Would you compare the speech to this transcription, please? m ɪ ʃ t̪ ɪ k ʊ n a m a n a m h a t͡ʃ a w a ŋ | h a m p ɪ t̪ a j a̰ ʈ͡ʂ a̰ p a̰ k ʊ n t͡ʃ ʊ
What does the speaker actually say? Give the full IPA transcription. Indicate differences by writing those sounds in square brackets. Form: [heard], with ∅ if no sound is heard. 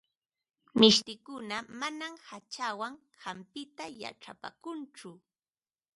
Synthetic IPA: m ɪ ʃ t̪ ɪ k ʊ n a m a n a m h a t͡ʃ a w a ŋ | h a m p ɪ t̪ a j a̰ ʈ͡ʂ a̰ p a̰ k ʊ n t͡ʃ ʊ